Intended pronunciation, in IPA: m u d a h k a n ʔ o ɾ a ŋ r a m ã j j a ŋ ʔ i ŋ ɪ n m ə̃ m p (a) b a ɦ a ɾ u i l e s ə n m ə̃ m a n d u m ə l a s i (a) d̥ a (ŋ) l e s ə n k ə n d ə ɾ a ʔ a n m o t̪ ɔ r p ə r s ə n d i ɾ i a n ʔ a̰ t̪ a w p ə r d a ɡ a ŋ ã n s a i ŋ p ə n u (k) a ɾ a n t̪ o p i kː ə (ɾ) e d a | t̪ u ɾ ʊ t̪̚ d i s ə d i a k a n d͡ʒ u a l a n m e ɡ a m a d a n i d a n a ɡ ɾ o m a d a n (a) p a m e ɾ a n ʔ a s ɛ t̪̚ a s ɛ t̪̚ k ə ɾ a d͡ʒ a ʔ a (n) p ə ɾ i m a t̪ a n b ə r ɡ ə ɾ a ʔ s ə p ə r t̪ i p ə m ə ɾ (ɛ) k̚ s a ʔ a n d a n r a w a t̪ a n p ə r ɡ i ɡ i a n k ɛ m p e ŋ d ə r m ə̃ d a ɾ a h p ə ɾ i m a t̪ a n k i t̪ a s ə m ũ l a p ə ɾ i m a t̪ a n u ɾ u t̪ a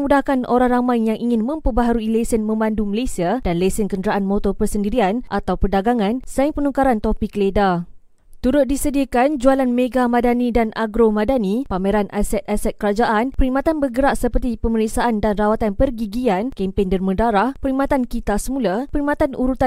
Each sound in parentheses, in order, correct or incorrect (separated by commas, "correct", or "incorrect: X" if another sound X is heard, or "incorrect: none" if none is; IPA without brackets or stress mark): incorrect: ə, correct, incorrect: n, correct, incorrect: l, incorrect: i, correct, incorrect: i